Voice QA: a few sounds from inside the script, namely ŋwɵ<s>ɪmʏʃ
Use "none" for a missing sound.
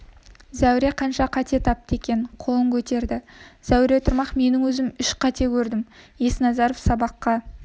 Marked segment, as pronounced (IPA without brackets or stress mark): z